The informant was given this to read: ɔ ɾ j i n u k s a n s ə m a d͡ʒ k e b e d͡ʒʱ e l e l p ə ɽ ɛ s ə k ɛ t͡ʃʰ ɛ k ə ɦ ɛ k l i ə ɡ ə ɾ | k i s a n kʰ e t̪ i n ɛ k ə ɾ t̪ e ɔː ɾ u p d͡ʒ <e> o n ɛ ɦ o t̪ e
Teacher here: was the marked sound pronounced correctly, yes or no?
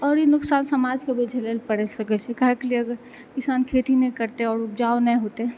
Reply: no